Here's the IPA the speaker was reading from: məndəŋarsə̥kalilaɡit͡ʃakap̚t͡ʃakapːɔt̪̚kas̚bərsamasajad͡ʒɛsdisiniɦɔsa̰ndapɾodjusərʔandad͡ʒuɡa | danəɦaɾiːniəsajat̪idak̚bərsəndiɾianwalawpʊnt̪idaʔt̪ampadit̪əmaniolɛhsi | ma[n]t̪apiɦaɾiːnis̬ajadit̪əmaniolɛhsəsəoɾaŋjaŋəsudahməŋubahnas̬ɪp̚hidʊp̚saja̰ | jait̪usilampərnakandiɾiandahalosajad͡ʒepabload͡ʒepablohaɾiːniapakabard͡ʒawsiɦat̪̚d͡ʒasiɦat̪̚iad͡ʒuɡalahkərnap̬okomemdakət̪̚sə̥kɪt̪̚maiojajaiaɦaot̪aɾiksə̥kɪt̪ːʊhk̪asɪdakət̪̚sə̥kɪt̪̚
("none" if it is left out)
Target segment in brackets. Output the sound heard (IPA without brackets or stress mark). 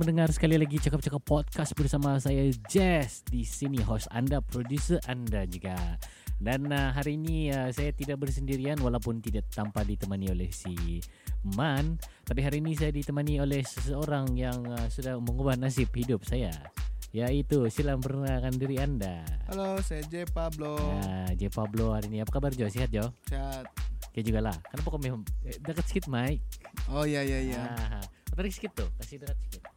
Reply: n